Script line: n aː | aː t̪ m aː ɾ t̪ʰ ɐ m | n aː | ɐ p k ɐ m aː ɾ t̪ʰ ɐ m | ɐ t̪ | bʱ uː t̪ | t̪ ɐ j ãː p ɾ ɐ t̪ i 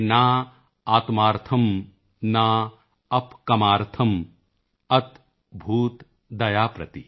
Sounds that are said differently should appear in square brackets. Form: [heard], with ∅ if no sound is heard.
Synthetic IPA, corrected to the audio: n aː | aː t̪ m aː ɾ t̪ʰ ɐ m | n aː | ɐ p k ɐ m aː ɾ t̪ʰ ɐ m | ɐ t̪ | bʱ uː t̪ | [d̪] ɐ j [aː] p ɾ ɐ t̪ i